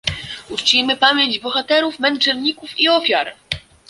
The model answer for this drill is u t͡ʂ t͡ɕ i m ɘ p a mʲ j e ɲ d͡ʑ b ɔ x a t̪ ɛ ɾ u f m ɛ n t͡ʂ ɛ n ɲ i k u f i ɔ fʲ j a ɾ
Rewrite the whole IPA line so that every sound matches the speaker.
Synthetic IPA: u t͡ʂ t͡ɕ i m ɘ p a mʲ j e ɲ d͡ʑ b ɔ x a t̪ ɛ ɾ u f m ɛ n t͡ʂ ɛ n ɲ i k u f i ɔ fʲ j a ɾ

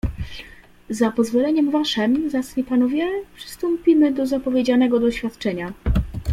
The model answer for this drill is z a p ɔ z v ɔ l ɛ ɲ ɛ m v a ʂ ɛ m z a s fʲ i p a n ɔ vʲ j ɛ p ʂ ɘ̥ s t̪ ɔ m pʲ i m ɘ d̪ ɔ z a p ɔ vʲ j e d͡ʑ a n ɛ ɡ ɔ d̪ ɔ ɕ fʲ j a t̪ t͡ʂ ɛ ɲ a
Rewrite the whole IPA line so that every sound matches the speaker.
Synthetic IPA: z a p ɔ z v ɔ l ɛ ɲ ɛ m v a ʂ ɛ m z a s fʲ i p a n ɔ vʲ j ɛ p ʂ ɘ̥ s t̪ ɔ m pʲ i m ɘ d̪ ɔ z a p ɔ vʲ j e d͡ʑ a n ɛ ɡ ɔ d̪ ɔ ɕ fʲ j a t̪ t͡ʂ ɛ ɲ a

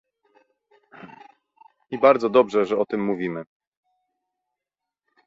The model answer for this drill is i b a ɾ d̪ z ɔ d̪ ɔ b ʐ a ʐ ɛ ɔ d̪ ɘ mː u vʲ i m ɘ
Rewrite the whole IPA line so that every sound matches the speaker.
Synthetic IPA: i b a ɾ d̪ z ɔ d̪ ɔ b ʐ ɛ ʐ ɛ ɔ t̪ ɘ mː u vʲ i m ɘ

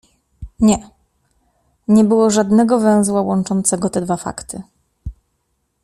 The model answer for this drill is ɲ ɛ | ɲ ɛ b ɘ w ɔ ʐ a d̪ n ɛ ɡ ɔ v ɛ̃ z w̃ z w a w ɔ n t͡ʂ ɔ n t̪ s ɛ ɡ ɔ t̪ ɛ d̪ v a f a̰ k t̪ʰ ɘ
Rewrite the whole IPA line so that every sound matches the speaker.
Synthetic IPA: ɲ ɛ | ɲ ɛ b ɘ w ɔ ʐ a d̪ n ɛ ɡ ɔ v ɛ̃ w̃ z w a w ɔ n t͡ʂ ɔ n t̪ s ɛ ɡ ɔ t̪ ɛ d̪ v a f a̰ k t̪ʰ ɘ

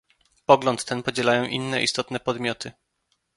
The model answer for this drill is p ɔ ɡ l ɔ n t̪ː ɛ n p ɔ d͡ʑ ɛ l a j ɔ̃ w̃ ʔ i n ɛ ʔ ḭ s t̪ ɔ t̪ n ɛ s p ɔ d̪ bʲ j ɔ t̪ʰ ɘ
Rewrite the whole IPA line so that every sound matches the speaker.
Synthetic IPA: p ɔ ɡ l ɔ n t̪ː ɛ n p ɔ d͡ʑ ɛ l a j ɔ̃ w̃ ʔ i nː ɛ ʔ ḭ s t̪ ɔ t̪ n ɛ p ɔ d̪ mʲ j ɔ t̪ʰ ɘ

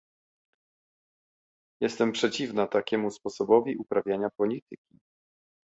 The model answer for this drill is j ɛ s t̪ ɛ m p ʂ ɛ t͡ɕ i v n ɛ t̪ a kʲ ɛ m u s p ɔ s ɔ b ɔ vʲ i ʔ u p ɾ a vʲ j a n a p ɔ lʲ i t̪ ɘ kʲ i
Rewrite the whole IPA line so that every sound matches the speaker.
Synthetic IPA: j ɛ s t̪ ɛ m p ʂ ɛ t͡ɕ i v n a t̪ a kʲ ɛ m u s p ɔ s ɔ b ɔ vʲ i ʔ u p ɾ a vʲ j a ɲ a p ɔ lʲ i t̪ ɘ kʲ i

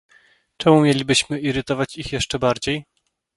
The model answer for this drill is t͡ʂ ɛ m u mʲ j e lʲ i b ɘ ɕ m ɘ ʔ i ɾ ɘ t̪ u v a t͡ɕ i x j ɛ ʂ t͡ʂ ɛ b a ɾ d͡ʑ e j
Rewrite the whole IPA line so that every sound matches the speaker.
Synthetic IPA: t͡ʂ ɛ m u mʲ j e lʲ i b ɘ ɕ m ɘ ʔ i ɾ ɘ t̪ ɔ v a t͡ɕ i x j ɛ ʂ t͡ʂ ɛ b a ɾ d͡ʑ e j

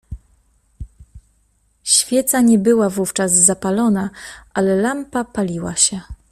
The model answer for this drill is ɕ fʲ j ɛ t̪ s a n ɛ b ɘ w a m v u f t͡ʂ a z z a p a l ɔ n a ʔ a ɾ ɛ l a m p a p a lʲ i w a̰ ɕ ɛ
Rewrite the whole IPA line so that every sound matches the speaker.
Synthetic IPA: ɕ fʲ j ɛ t̪ s a ɲ ɛ b ɘ w a v u f t͡ʂ a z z a p a l ɔ n a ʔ a l ɛ l a m p a p a lʲ i w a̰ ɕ ɛ

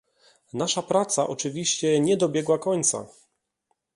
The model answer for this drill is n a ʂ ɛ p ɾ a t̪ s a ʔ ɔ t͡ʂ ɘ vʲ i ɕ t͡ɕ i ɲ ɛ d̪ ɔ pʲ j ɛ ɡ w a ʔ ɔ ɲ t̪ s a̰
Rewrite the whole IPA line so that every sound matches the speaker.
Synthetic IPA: n a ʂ a p ɾ a t̪ s a ʔ ɔ t͡ʂ ɘ vʲ i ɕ t͡ɕ ɛ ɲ ɛ d̪ ɔ bʲ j ɛ ɡ w a k ɔ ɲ t̪ s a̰

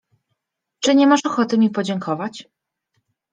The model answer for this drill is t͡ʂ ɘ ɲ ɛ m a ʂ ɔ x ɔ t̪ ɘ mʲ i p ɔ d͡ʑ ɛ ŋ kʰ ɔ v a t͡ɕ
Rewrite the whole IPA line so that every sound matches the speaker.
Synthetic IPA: t͡ʂ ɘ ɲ ɛ m a ʂ ɔ x ɔ t̪ ɘ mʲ i p ɔ d͡ʑ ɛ ŋ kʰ ɔ v a t͡ɕ

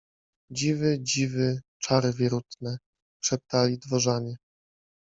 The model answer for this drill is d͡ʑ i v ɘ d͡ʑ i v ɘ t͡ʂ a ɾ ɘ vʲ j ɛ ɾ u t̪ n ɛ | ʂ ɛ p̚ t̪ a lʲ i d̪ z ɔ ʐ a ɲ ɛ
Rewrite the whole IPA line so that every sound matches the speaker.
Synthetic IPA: d͡ʑ i v ɘ d͡ʑ i v ɘ t͡ʂ a ɾ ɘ vʲ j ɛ ɾ u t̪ n ɛ | ʂ ɛ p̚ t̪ a lʲ i d̪ v ɔ ʐ a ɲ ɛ

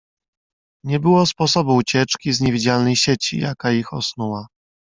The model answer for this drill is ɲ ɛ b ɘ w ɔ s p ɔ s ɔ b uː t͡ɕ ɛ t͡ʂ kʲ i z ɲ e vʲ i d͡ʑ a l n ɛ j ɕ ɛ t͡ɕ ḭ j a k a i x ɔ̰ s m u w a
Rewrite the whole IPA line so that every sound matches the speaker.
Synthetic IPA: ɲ ɛ b ɘ w ɔ s p ɔ s ɔ b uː t͡ɕ ɛ t͡ʂ kʲ i z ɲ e vʲ i d͡ʑ a l n ɛ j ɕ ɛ t͡ɕ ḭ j a k a i x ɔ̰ s n u w a

